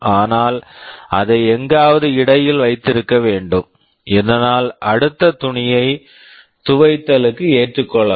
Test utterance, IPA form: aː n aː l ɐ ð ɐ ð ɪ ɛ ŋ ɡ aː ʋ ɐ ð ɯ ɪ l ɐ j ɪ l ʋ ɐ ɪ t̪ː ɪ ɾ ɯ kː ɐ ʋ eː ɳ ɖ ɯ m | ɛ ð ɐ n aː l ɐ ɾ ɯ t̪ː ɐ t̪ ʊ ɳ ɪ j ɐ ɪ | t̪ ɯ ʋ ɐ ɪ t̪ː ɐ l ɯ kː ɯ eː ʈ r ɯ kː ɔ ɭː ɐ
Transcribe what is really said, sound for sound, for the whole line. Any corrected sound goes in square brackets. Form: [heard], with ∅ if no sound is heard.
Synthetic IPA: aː n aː l ɐ ð ɐ [∅] ɪ ɛ ŋ ɡ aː ʋ ɐ ð ɯ ɪ [ɽ] ɐ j ɪ l ʋ ɐ ɪ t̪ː ɪ ɾ ɯ kː ɐ ʋ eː ɳ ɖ ɯ m | ɛ ð ɐ n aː l ɐ [ɽ] ɯ t̪ː ɐ t̪ ʊ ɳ ɪ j ɐ ɪ | t̪ [ʊ] ʋ ɐ ɪ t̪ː ɐ l ɯ kː ɯ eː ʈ r ɯ kː ɔ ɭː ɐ